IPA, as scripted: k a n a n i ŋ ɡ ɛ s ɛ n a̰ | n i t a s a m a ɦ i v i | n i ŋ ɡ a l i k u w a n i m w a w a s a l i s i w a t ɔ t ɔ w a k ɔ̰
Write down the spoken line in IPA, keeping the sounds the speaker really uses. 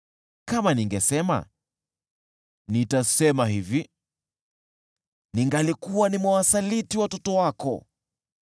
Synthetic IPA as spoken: k a m a n i ŋ ɡ ɛ s ɛ m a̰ | n i t a s ɛ m a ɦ i v i | n i ŋ ɡ a l i k u w a n i m w a w a s a l i t i w a t ɔ t ɔ w a k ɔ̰

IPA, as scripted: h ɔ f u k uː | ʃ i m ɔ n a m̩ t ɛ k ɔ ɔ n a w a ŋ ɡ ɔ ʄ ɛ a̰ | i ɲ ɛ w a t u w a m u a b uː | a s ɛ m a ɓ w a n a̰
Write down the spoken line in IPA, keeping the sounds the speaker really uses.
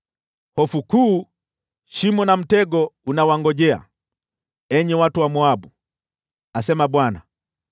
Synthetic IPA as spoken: h ɔ f u k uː | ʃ i m ɔ n a m̩ t ɛ ɡ ɔ u n a w a ŋ ɡ ɔ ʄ ɛ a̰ | ɛ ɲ ɛ w a t u w a m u a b u | a s ɛ m a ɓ w a n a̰

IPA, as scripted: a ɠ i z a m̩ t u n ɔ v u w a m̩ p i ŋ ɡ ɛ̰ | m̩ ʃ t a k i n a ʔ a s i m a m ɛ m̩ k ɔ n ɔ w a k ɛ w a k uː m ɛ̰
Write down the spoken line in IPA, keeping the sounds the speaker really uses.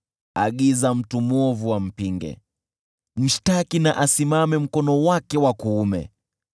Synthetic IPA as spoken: a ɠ i z a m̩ t u m ɔ v u w a m̩ p i ŋ ɡ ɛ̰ | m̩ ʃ t a k i n a ʔ a s i m a m ɛ m̩ k ɔ n ɔ w a k ɛ w a k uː m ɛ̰

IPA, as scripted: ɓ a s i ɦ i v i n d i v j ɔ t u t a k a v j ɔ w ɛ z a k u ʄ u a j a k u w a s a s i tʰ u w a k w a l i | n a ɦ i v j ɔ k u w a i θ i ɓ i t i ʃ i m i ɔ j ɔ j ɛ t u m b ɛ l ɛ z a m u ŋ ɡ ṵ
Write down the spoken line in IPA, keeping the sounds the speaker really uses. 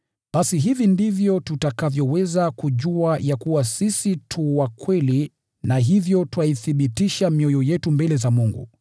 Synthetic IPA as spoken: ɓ a s i ɦ i v i n d i v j ɔ t u t a k a v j ɔ w ɛ z a k u ʄ u a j a k u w a s i s i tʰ u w a k w ɛ l i | n a ɦ i v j ɔ t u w a i θ i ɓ i t i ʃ a m i ɔ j ɔ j ɛ t u m b ɛ l ɛ z a m u ŋ ɡ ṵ

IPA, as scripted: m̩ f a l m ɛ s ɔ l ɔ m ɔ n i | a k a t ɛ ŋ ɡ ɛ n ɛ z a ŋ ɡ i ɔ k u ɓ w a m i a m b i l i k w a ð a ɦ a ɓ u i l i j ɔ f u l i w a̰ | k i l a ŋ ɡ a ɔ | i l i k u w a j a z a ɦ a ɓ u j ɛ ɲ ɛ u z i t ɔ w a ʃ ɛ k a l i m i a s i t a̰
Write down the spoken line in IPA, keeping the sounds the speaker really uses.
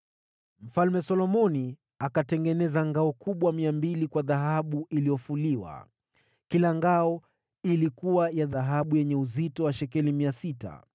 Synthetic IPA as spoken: m̩ f a l m ɛ s ɔ l ɔ m ɔ n i | a k a t ɛ ŋ ɡ ɛ n ɛ z a ŋ ɡ a ɔ k u ɓ w a m i a m b i l i k w a ð a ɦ a ɓ u i l i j ɔ f u l i w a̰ | k i l a ŋ ɡ a ɔ | i l i k u w a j a ð a ɦ a ɓ u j ɛ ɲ ɛ u z i t ɔ w a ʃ ɛ k ɛ l i m i a s i t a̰

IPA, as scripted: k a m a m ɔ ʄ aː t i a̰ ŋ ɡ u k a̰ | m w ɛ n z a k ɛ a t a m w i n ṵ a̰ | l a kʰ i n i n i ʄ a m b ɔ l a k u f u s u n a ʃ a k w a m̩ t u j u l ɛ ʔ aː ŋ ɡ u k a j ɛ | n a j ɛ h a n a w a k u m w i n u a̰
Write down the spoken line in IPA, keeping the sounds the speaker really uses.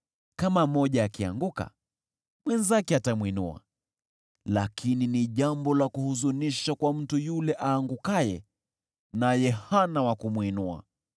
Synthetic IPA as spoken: k a m a m ɔ ʄ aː k i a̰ ŋ ɡ u k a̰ | m w ɛ n z a k ɛ a t a m w i n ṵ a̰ | l a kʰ i n i n i ʄ a m b ɔ l a k u h u z u n i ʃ a k w a m̩ t u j u l ɛ ʔ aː ŋ ɡ u k a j ɛ | n a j ɛ h a n a w a k u m w i n u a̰

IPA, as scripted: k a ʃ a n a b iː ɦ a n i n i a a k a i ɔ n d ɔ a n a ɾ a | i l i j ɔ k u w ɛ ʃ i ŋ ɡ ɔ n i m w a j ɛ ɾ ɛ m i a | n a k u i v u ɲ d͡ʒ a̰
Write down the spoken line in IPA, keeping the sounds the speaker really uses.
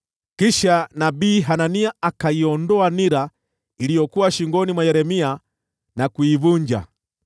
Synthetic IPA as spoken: k i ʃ a n a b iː ɦ a n a n i a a k a i ɔ n d ɔ a n i ɾ a | i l i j ɔ k u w a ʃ i ŋ ɡ ɔ n i m w a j ɛ ɾ ɛ m i a | n a k u i v u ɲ d͡ʒ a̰

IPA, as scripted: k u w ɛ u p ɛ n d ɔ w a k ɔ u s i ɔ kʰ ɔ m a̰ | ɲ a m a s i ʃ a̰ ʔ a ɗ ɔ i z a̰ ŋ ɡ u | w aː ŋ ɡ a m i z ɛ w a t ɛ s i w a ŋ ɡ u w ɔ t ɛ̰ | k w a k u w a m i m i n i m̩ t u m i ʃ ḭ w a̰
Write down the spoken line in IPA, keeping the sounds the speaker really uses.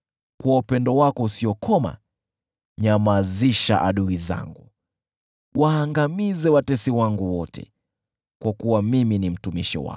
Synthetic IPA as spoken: k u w a u p ɛ n d ɔ w a k ɔ u s i ɔ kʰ ɔ m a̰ | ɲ a m a z i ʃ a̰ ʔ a ɗ u i z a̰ ŋ ɡ u | w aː ŋ ɡ a m i z ɛ w a t ɛ s i w a ŋ ɡ u w ɔ t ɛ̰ | k w a k u w a m i m i n i m̩ t u m i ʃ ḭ w a̰

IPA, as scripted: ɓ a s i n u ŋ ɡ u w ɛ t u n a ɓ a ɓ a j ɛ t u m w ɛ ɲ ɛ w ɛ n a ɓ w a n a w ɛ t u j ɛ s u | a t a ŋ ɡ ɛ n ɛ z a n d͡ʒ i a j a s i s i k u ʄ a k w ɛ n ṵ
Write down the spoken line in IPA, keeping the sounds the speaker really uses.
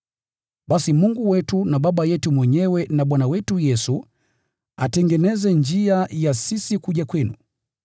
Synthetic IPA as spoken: ɓ a s i m u ŋ ɡ u w ɛ t u n a ɓ a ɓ a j ɛ t u m w ɛ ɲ ɛ w ɛ n a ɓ w a n a w ɛ t u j ɛ s u | a t ɛ ŋ ɡ ɛ n ɛ z ɛ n d͡ʒ i a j a s i s i k u ʄ a k w ɛ n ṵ

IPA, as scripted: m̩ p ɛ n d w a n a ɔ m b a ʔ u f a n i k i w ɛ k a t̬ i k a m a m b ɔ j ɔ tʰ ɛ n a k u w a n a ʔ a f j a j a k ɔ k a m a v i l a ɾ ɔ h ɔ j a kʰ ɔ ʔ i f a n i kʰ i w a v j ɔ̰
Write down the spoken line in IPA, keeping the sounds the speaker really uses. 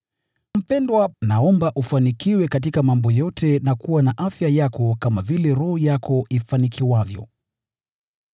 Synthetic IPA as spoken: m̩ p ɛ n d w a n a ɔ m b a ʔ u f a n i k i w ɛ k a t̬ i k a m a m b ɔ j ɔ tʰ ɛ n a k u w a n a ʔ a f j a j a k ɔ k a m a v i l ɛ ɾ ɔ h ɔ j a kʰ ɔ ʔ i f a n i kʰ i w a v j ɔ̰

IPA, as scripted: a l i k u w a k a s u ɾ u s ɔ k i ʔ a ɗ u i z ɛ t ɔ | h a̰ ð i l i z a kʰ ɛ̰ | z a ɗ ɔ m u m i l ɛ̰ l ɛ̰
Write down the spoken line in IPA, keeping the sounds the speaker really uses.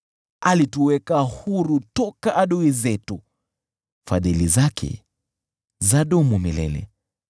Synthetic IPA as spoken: a l i t u w ɛ k a h u ɾ u t ɔ k a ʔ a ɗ u i z ɛ t u | f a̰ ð i l i z a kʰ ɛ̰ | z a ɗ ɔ m u m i l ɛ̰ l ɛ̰

